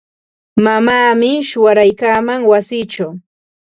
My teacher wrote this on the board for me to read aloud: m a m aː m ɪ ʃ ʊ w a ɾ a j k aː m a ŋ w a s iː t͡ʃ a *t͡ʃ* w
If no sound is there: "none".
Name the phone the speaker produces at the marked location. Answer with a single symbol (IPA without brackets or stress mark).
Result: none